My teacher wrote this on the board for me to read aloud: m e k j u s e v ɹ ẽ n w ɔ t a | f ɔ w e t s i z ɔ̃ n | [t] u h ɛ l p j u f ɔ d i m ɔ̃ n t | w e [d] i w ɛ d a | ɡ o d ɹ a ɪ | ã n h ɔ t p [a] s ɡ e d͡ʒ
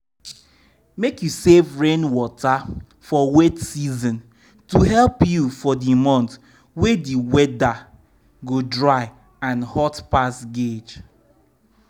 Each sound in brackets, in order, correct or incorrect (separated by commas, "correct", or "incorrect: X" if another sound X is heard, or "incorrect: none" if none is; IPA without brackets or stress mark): correct, correct, correct